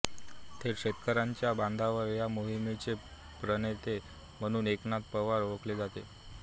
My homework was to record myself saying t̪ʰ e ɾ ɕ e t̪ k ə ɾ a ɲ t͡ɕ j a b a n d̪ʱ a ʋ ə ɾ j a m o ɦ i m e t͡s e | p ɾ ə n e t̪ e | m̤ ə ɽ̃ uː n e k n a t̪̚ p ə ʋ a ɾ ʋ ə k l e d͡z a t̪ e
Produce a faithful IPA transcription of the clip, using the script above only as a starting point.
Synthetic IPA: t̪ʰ e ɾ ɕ e t̪ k ə ɾ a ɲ t͡ɕ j a b a n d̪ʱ a ʋ ə ɾ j a m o ɦ i m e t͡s e | p ɾ ə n e t̪ e | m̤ ə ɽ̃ uː n e k n a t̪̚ p ə ʋ a ɾ ʋ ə k l e d͡z a t̪ e